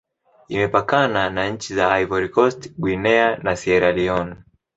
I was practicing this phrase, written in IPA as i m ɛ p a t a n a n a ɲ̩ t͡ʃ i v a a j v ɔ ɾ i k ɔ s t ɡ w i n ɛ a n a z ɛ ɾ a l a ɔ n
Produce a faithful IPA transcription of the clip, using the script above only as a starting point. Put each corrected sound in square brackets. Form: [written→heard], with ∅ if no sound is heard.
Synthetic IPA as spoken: i m ɛ p a [t→k] a n a n a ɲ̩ t͡ʃ i [v→z] a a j v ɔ ɾ i k ɔ s t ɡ w i n ɛ a n a [z→s] ɛ ɾ a l [a→i] ɔ n